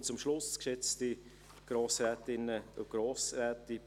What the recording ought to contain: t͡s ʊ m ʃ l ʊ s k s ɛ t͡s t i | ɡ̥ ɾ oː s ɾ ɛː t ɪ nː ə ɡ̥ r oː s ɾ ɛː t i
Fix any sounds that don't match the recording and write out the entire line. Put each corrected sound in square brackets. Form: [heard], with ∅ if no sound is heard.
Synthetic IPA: t͡s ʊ m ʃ l ʊ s k [ʃ] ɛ t͡s t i | ɡ̥ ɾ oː s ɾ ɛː t ɪ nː ə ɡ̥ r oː s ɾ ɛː t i